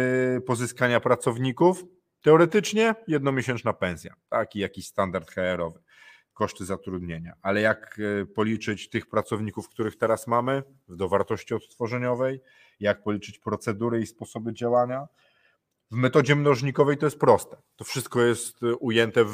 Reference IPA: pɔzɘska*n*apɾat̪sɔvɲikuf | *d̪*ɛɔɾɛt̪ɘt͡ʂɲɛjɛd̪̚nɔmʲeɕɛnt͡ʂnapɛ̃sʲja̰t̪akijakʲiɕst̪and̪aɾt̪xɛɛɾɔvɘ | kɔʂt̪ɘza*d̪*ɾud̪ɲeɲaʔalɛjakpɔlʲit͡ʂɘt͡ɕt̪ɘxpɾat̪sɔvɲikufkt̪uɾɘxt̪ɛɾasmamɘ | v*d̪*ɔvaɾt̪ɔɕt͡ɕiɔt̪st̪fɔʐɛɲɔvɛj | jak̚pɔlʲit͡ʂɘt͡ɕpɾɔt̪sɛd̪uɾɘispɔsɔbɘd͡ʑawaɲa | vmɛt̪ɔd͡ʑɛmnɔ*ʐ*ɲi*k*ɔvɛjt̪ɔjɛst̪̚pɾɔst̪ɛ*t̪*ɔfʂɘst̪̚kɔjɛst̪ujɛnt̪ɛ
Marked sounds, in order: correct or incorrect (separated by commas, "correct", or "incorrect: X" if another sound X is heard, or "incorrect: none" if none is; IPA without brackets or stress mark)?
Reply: incorrect: ɲ, incorrect: t̪, incorrect: t̪, correct, correct, correct, correct